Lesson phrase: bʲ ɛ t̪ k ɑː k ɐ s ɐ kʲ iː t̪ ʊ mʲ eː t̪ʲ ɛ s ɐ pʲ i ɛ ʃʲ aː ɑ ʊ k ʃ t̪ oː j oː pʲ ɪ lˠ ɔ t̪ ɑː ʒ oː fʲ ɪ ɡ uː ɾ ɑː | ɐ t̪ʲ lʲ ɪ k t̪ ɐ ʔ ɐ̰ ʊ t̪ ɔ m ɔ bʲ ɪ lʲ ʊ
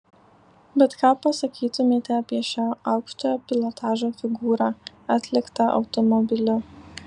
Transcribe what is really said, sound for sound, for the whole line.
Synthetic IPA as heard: bʲ ɛ t̪ k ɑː p ɐ s ɐ kʲ iː t̪ ʊ mʲ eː t̪ʲ ɛ ɐ pʲ i ɛ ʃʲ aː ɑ ʊ k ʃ t̪ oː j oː pʲ ɪ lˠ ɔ t̪ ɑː ʒ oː fʲ ɪ ɡ uː ɾ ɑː | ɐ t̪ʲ lʲ ɪ k t̪ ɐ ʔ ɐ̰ ʊ t̪ ɔ m ɔ bʲ ɪ lʲ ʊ

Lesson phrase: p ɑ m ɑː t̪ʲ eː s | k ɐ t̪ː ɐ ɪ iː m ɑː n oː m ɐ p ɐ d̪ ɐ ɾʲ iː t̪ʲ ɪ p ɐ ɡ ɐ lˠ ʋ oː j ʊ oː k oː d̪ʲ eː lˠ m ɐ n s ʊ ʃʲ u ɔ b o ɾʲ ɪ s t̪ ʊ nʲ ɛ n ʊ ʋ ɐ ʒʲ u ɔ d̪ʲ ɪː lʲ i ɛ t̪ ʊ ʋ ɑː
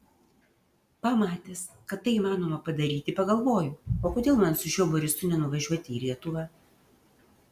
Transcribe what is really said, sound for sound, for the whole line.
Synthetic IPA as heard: p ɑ m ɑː t̪ʲ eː s | k ɐ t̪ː ɐ ɪ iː m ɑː n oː m ɐ p ɐ d̪ ɐ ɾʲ iː t̪ʲ ɪ p ɐ ɡ ɐ lˠ ʋ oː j ʊ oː k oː d̪ʲ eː lˠ m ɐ n s ʊ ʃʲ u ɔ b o ɾʲ ɪ s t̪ ʊ nʲ ɛ n ʊ ʋ ɐ ʒʲ u ɔ t̪ʲ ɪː lʲ i ɛ t̪ ʊ ʋ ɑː

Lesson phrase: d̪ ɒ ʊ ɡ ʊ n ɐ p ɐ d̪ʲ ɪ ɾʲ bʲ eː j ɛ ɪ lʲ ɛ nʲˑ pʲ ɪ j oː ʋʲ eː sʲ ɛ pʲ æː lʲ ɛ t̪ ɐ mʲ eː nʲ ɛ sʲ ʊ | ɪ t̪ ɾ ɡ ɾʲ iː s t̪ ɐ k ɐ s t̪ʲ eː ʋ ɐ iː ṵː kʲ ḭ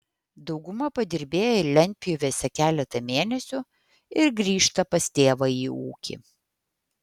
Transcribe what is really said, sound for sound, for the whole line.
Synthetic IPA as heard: d̪ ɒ ʊ ɡ ʊ m ɐ p ɐ d̪ʲ ɪ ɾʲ bʲ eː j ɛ ɪ lʲ ɛ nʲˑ pʲ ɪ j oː ʋʲ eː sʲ ɛ kʲ æː lʲ ɛ t̪ ɐ mʲ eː nʲ ɛ sʲ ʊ | ɪ ɾ ɡ ɾʲ iː ʃ t̪ ɐ p ɐ s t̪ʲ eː ʋ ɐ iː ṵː kʲ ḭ

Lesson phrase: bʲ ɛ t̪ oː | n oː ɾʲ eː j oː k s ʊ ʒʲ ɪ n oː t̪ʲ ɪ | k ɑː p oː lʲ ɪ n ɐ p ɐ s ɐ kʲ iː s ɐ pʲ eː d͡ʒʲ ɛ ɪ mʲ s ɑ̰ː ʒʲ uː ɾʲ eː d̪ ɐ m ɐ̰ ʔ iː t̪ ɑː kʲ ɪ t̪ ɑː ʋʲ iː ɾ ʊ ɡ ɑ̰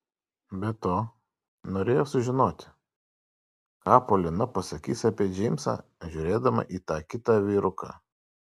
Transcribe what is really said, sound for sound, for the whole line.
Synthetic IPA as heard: bʲ ɛ t̪ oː | n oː ɾʲ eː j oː s ʊ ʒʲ ɪ n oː t̪ʲ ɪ | k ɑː p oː lʲ ɪ n ɐ p ɐ s ɐ kʲ iː s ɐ pʲ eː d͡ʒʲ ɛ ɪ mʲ s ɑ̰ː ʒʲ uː ɾʲ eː d̪ ɐ m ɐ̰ ʔ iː t̪ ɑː kʲ ɪ t̪ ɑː ʋʲ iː ɾ ʊ k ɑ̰

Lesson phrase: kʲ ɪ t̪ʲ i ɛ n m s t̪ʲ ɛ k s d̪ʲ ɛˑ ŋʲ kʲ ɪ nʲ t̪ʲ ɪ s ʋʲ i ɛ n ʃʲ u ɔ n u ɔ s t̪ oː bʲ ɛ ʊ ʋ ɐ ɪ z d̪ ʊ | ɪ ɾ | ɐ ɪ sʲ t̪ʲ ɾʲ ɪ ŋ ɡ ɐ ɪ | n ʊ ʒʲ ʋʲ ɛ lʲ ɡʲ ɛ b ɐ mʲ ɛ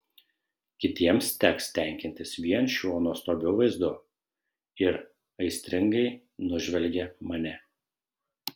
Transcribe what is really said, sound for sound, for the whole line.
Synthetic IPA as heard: kʲ ɪ t̪ʲ i ɛ m s t̪ʲ ɛ k s t̪ʲ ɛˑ ŋʲ kʲ ɪ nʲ t̪ʲ ɪ s ʋʲ i ɛ n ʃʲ u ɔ n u ɔ s t̪ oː bʲ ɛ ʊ ʋ ɐ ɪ z d̪ ʊ | ɪ ɾ | ɐ ɪ sʲ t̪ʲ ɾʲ ɪ ŋ ɡ ɐ ɪ | n ʊ ʒʲ ʋʲ ɛ lʲ ɡʲ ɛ m ɐ nʲ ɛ

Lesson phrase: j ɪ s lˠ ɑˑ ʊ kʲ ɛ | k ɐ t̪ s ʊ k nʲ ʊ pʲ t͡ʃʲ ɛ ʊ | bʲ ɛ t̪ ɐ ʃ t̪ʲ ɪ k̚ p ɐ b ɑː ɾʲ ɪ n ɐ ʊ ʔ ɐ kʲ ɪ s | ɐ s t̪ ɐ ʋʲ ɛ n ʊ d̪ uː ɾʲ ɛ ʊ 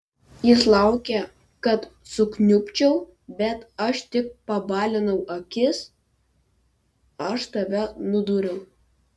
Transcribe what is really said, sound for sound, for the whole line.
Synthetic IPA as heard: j ɪ s lˠ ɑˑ ʊ kʲ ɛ | k ɐ t̪ s ʊ k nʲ ʊ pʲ t͡ʃʲ ɛ ʊ | bʲ ɛ t̪ ɐ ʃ t̪ʲ ɪ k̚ p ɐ b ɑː lʲ ɪ n ɐ ʊ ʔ ɐ kʲ ɪ s | ɐ ʃ t̪ ɐ ʋʲ ɛ n ʊ d̪ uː ɾʲ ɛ ʊ

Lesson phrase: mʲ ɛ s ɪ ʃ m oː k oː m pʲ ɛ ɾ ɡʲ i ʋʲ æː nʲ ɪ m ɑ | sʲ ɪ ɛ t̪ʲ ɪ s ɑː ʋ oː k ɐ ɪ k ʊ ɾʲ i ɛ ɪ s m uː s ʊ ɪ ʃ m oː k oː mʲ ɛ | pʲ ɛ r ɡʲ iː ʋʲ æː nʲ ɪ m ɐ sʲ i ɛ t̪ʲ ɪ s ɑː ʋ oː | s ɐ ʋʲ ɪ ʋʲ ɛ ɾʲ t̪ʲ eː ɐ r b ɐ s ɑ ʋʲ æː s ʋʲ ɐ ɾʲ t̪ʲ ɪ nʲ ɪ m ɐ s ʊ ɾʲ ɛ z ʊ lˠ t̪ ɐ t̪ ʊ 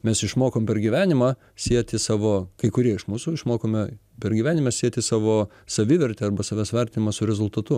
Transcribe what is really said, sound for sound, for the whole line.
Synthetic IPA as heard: mʲ ɛ s ɪ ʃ m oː k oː m pʲ ɛ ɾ ɡʲ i ʋʲ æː nʲ ɪ m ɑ | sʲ i ɛ t̪ʲ ɪ s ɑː ʋ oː k ɐ ɪ k ʊ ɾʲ i ɛ ɪ ʃ m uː s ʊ ɪ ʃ m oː k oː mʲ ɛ | pʲ ɛ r ɡʲ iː ʋʲ æː nʲ ɪ m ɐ sʲ i ɛ t̪ʲ ɪ s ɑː ʋ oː | s ɐ ʋʲ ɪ ʋʲ ɛ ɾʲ t̪ʲ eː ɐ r b ɐ s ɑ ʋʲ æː s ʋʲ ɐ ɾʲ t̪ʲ ɪ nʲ ɪ m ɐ s ʊ ɾʲ ɛ z ʊ lˠ t̪ ɐ t̪ ʊ

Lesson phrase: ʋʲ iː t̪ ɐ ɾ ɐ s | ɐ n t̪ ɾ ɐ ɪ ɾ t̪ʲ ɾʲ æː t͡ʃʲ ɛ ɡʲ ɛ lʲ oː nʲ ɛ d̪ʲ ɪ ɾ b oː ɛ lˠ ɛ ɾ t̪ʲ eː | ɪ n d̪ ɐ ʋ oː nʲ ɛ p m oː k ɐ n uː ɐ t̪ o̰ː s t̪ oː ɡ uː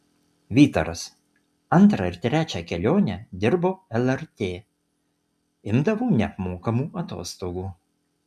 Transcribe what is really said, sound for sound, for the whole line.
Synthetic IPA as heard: ʋʲ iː t̪ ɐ ɾ ɐ s | ɐ n t̪ ɾ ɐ ɪ ɾ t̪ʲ ɾʲ æː t͡ʃʲ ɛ kʲ ɛ lʲ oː nʲ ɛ d̪ʲ ɪ ɾ b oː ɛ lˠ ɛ ɾ t̪ʲ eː | ɪ m d̪ ɐ ʋ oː nʲ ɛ p m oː k ɐ m uː ɐ t̪ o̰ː s t̪ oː ɡ uː

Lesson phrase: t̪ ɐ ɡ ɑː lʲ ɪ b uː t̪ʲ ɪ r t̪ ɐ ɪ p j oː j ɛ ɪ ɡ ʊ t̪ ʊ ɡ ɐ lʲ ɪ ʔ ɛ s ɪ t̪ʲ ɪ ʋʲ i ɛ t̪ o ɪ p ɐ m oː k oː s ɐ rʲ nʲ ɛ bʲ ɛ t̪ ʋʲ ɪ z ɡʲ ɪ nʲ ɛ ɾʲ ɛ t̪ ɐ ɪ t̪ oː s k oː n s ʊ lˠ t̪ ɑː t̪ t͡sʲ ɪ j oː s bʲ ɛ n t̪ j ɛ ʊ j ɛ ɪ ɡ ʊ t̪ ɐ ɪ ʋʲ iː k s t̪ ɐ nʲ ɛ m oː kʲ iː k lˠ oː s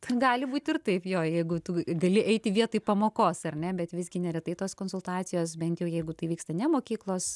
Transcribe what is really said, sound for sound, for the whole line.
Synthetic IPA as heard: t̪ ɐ ɡ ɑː lʲ ɪ b uː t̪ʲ ɪ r t̪ ɐ ɪ p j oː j ɛ ɪ ɡ ʊ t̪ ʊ ɡ ɐ lʲ ɪ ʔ ɛ ɪ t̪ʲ ɪ ʋʲ i ɛ t̪ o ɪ p ɐ m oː k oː s ɐ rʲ nʲ ɛ bʲ ɛ t̪ ʋʲ ɪ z ɡʲ ɪ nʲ ɛ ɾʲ ɛ t̪ ɐ ɪ t̪ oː s k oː n s ʊ lˠ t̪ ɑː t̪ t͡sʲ ɪ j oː s bʲ ɛ n t̪ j ɛ ʊ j ɛ ɪ ɡ ʊ t̪ ɐ ɪ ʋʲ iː k s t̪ ɐ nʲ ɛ m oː kʲ iː k lˠ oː s

